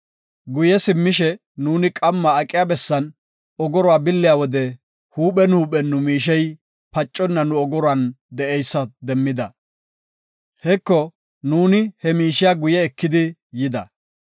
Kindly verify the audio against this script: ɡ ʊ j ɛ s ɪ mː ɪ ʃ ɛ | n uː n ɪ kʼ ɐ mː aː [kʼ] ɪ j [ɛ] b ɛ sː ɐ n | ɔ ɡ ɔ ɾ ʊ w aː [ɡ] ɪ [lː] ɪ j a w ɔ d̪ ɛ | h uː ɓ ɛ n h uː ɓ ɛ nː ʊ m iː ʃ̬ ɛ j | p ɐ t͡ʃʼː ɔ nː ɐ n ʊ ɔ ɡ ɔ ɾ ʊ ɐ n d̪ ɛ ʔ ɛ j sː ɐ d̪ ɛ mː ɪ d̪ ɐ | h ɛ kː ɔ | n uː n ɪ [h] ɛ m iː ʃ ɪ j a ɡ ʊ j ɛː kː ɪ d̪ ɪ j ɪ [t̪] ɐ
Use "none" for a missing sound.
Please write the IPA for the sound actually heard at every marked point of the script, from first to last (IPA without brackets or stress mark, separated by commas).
kʼ, a, b, lː, h, d̪